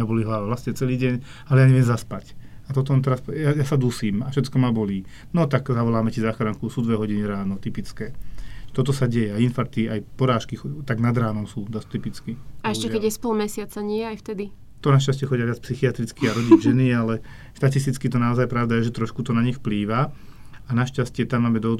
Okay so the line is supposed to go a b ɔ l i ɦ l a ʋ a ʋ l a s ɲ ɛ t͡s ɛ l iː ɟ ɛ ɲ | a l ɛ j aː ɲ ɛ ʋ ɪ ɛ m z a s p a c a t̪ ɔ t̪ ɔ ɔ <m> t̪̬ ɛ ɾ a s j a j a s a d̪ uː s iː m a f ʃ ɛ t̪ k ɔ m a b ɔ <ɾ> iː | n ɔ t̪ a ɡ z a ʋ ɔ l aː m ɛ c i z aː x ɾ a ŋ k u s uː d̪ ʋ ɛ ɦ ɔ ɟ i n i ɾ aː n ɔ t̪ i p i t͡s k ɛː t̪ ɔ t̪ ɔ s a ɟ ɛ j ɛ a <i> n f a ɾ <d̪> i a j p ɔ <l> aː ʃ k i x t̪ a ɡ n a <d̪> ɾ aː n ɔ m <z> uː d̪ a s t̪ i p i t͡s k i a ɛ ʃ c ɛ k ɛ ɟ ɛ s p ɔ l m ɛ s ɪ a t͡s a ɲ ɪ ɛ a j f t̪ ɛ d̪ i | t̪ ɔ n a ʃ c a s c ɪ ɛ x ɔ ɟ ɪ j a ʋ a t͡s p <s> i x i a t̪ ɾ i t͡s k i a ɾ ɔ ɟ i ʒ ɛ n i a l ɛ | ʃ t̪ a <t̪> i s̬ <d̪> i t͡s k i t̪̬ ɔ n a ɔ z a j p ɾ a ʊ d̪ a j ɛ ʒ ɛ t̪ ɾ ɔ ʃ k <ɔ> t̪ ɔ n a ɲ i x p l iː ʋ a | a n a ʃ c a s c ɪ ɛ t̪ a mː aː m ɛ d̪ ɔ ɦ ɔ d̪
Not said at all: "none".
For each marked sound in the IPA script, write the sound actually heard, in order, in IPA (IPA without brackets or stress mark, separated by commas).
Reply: n, l, i, t̪, ɾ, d̪, s, s, t̪, t̪, u